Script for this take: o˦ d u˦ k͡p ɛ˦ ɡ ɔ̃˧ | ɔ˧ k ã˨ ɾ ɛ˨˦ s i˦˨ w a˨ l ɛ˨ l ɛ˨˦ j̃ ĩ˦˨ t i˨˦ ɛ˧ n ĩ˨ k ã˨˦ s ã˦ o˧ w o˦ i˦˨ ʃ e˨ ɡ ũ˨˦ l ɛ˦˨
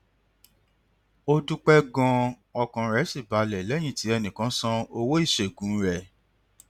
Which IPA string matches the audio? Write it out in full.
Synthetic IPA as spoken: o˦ d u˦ k͡p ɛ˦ ɡ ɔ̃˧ | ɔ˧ k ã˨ ɾ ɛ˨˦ s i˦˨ b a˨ l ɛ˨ l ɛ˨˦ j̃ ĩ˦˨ t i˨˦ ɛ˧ n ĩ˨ k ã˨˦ s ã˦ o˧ w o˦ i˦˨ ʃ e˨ ɡ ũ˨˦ ɾ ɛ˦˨

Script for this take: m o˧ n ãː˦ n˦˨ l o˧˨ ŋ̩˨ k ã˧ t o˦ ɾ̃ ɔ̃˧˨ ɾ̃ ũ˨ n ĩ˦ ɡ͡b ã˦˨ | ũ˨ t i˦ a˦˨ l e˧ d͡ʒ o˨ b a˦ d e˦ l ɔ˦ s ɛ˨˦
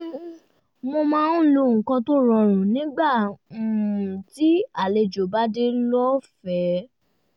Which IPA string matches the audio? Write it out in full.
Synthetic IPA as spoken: m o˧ m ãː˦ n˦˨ l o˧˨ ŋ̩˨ k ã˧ t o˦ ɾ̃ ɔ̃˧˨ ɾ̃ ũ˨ n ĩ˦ ɡ͡b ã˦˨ | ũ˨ t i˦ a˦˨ l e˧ d͡ʒ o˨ b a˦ d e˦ l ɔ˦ f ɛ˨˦

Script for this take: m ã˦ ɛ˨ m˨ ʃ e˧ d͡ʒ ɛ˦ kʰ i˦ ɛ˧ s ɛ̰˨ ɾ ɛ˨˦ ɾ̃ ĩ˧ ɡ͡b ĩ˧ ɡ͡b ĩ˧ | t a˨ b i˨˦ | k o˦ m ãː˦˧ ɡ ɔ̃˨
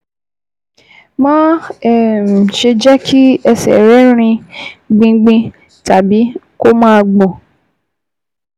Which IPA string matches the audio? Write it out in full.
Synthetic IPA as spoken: m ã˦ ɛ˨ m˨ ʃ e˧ d͡ʒ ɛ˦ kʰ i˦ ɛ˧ s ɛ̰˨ ɾ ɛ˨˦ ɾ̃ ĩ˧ ɡ͡b ĩ˧ ɡ͡b ĩ˧ | t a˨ b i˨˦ | k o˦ m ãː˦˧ ɡ͡b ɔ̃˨

